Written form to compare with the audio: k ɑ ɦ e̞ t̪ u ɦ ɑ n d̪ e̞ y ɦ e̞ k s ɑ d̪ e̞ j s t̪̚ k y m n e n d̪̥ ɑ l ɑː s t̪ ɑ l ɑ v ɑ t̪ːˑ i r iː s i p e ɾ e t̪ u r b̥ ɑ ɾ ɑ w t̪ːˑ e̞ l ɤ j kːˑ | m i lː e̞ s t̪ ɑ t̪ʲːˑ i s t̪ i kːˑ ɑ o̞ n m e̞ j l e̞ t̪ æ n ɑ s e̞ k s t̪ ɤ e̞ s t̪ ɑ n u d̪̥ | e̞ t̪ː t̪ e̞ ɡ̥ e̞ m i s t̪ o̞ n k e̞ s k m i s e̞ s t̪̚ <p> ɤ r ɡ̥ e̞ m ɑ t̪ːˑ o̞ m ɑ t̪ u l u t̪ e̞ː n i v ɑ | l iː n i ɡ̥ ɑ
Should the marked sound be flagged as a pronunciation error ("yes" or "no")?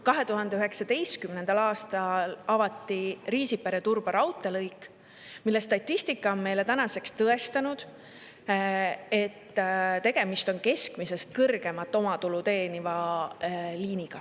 yes